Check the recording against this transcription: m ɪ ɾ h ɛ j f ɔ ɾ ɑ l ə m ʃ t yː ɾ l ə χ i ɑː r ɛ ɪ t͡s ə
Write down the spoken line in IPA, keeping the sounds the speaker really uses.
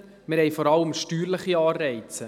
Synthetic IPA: m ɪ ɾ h ɛ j f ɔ ɾ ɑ l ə m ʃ t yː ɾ l ə χ i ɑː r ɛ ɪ t͡s ə